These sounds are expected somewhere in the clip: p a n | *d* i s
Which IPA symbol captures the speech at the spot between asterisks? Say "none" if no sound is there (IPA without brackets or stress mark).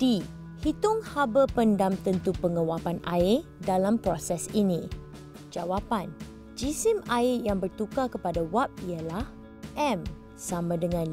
d͡ʒ